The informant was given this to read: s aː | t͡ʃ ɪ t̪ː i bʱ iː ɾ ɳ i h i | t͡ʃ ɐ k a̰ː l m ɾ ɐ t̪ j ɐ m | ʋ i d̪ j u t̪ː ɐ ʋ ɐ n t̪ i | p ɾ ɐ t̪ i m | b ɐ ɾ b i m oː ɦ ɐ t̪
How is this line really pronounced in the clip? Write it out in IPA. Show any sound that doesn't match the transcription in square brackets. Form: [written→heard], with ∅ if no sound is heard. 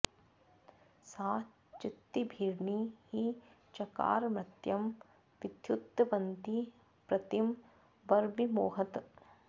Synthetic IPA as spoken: s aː | t͡ʃ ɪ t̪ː i bʱ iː ɾ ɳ i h i | t͡ʃ ɐ k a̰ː [l→ɾ] m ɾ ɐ t̪ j ɐ m | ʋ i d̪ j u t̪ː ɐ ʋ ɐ n t̪ i | p ɾ ɐ t̪ i m | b ɐ ɾ b i m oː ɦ ɐ t̪

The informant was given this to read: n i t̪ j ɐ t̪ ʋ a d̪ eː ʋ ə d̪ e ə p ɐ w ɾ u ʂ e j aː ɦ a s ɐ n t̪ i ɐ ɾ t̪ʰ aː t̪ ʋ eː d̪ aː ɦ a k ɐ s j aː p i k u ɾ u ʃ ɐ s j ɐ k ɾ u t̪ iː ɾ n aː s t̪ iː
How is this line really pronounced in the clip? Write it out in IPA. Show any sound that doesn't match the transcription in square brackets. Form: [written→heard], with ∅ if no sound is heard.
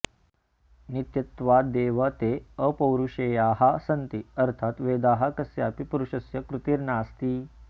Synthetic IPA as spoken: n i t̪ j ɐ t̪ ʋ a d̪ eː ʋ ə [d̪→t̪] e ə p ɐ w ɾ u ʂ e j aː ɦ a s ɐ n t̪ i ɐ ɾ t̪ʰ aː t̪ ʋ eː d̪ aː ɦ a k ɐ s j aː p i [k→p] u ɾ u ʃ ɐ s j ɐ k ɾ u t̪ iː ɾ n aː s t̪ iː

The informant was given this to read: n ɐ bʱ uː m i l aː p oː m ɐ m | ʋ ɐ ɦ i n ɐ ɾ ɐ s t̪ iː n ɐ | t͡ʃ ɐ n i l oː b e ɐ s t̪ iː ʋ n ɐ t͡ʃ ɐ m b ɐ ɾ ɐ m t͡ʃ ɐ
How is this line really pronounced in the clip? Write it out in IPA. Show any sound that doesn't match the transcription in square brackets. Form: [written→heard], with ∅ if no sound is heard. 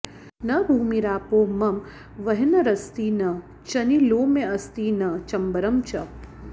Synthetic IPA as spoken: n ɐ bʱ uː m i [l→ɾ] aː p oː m ɐ m | ʋ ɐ ɦ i n ɐ ɾ ɐ s t̪ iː n ɐ | t͡ʃ ɐ n i l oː [b→m] e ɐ s t̪ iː [ʋ→∅] n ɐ t͡ʃ ɐ m b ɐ ɾ ɐ m t͡ʃ ɐ

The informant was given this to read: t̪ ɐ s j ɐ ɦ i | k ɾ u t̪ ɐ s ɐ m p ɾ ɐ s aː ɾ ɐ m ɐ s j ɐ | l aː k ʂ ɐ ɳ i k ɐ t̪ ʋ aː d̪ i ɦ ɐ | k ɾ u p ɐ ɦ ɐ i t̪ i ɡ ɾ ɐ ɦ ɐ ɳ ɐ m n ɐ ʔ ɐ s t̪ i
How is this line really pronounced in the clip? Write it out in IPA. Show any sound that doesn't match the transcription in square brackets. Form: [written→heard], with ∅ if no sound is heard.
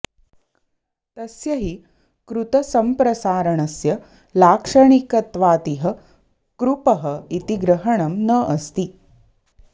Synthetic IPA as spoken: t̪ ɐ s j ɐ ɦ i | k ɾ u t̪ ɐ s ɐ m p ɾ ɐ s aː ɾ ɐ [m→ɳ] ɐ s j ɐ | l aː k ʂ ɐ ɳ i k ɐ t̪ ʋ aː [d̪→t̪] i ɦ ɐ | k ɾ u p ɐ ɦ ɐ i t̪ i ɡ ɾ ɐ ɦ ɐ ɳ ɐ m n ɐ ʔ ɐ s t̪ i

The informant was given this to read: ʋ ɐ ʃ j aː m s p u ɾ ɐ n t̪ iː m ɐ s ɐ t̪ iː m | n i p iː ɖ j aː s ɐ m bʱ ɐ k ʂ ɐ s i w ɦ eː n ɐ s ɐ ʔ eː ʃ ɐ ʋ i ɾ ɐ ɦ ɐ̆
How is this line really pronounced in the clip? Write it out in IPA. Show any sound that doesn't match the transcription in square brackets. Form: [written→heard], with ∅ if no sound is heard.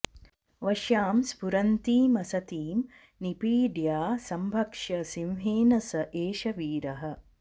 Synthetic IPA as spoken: ʋ ɐ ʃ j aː m s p u ɾ ɐ n t̪ iː m ɐ s ɐ t̪ iː m | n i p iː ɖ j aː s ɐ m bʱ ɐ k ʂ ɐ s i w ɦ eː n ɐ s ɐ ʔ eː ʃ ɐ ʋ [i→iː] ɾ ɐ ɦ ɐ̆

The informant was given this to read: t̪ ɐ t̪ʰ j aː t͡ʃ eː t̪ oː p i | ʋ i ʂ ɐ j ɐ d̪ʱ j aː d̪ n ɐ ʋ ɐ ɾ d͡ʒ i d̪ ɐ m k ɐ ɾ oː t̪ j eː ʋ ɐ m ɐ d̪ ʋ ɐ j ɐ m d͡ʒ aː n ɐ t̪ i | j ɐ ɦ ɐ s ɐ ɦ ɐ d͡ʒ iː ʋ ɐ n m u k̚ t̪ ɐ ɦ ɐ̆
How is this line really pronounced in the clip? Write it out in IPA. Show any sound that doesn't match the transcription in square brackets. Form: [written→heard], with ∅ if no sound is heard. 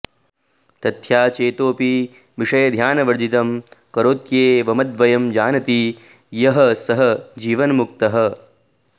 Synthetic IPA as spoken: t̪ ɐ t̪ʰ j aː t͡ʃ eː t̪ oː p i | ʋ i ʂ ɐ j ɐ d̪ʱ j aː [d̪→∅] n ɐ ʋ ɐ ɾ d͡ʒ i [d̪→t̪] ɐ m k ɐ ɾ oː t̪ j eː ʋ ɐ m ɐ d̪ ʋ ɐ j ɐ m d͡ʒ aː n ɐ t̪ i | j ɐ ɦ ɐ s ɐ ɦ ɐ d͡ʒ iː ʋ ɐ n m u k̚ t̪ ɐ ɦ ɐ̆

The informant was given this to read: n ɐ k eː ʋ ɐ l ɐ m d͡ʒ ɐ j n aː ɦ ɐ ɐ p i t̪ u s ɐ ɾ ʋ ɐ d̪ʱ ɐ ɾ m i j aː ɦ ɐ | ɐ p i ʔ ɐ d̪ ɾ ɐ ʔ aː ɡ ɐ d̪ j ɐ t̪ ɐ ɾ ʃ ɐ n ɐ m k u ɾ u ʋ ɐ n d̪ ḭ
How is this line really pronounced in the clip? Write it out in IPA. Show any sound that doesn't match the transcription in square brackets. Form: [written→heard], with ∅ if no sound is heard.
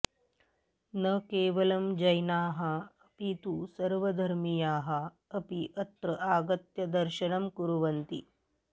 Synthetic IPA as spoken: n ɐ k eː ʋ ɐ l ɐ m d͡ʒ ɐ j n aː ɦ ɐ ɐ p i t̪ u s ɐ ɾ ʋ ɐ d̪ʱ ɐ ɾ m i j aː ɦ ɐ | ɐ p i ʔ ɐ [d̪→t̪] ɾ ɐ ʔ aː ɡ ɐ [d̪→t̪] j ɐ [t̪→d̪] ɐ ɾ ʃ ɐ n ɐ m k u ɾ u ʋ ɐ n [d̪→t̪] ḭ

